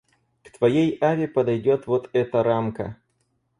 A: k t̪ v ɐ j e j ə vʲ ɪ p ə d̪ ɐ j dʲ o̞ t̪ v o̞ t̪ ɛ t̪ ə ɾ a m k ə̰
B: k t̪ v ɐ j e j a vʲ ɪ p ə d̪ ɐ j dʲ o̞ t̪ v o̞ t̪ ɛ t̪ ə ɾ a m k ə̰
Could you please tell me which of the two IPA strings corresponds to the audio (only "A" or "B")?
B